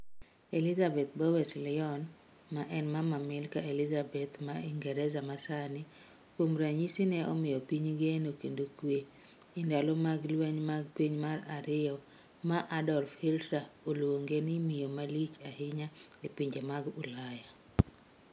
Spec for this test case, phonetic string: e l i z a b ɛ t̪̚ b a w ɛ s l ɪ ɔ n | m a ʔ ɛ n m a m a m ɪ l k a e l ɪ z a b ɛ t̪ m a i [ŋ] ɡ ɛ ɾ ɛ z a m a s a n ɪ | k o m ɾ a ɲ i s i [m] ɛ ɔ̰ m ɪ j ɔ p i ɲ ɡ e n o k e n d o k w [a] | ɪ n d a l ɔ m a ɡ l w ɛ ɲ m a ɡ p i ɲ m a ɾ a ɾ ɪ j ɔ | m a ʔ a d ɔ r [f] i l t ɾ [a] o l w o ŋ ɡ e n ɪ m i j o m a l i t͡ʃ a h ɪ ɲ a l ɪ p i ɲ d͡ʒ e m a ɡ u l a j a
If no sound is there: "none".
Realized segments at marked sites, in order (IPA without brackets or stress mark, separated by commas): ŋ, n, e, f, a